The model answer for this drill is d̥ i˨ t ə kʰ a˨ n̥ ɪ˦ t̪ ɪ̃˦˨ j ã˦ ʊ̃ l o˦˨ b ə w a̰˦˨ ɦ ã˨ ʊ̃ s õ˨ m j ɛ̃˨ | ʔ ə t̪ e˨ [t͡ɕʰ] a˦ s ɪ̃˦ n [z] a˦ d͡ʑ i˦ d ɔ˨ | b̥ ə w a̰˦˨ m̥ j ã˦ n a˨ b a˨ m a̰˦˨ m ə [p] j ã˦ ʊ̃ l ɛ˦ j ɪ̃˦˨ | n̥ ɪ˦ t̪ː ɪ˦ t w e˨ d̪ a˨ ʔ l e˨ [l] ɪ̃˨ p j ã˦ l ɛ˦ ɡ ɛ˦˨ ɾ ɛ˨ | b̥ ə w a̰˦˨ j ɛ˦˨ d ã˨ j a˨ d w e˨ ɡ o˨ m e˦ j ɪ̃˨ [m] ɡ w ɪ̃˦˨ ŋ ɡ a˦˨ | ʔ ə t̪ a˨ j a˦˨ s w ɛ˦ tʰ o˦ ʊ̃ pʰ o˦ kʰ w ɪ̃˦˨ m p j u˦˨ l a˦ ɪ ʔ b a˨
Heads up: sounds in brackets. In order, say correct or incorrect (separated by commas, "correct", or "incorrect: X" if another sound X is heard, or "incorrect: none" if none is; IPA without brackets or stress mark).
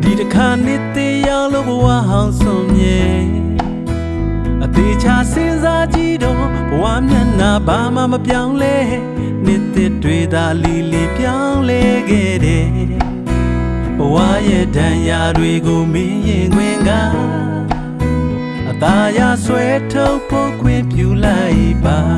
correct, correct, correct, correct, incorrect: ŋ